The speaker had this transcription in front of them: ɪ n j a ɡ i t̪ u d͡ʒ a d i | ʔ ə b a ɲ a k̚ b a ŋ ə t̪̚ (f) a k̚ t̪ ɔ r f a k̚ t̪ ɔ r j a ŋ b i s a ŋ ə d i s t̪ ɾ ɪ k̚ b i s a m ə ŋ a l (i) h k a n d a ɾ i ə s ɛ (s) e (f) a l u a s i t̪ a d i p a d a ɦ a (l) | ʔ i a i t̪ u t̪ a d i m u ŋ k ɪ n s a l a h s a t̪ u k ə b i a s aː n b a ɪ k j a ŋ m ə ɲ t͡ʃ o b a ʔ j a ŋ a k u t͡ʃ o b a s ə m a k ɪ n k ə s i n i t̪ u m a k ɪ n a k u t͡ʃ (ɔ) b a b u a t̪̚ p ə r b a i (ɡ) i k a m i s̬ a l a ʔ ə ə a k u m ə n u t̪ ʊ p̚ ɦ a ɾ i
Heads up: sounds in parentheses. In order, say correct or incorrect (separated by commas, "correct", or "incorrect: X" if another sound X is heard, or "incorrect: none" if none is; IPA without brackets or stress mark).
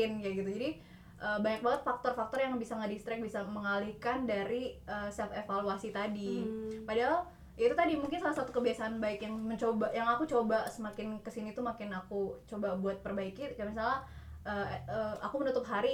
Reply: correct, correct, incorrect: f, correct, correct, incorrect: o, incorrect: k